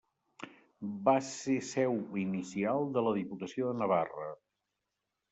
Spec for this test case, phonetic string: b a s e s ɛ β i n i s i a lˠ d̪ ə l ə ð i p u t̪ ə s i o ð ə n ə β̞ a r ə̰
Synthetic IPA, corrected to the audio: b a s e s ɛ w i n i s i a lˠ d̪ ə l ə ð i p u t̪ ə s i o ð ə n ə β̞ a r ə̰

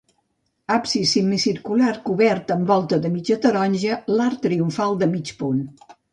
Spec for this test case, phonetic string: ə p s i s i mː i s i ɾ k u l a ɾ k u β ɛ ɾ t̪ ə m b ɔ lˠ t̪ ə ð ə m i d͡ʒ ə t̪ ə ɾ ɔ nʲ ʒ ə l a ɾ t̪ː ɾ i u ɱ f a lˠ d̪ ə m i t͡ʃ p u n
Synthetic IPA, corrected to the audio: a p s i s i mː i s i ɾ k u l a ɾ k u β ɛ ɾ t̪ ə m b ɔ lˠ t̪ ə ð ə m i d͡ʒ ə t̪ ə ɾ ɔ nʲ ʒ ə l a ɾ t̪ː ɾ i u ɱ f a lˠ d̪ ə m i t͡ʃ p u n

